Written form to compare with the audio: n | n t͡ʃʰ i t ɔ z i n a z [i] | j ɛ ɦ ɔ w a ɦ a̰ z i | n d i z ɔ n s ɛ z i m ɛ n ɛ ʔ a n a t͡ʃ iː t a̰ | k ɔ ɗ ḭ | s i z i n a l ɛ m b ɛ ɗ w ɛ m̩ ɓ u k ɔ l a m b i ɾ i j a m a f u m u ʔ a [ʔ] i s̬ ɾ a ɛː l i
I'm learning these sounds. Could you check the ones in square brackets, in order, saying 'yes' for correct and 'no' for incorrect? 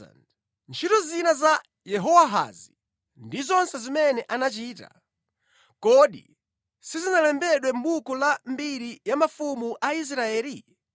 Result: no, no

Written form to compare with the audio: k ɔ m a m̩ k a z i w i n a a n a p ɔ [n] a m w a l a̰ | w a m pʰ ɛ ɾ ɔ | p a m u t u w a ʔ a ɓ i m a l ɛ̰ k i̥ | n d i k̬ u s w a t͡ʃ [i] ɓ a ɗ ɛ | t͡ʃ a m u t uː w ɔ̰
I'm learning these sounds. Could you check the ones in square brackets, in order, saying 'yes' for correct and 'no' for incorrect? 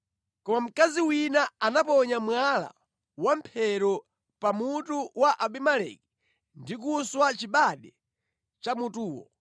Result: no, yes

